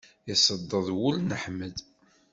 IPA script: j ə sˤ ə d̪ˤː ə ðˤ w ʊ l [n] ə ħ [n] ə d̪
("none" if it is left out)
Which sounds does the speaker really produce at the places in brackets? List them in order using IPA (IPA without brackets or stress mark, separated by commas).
n, m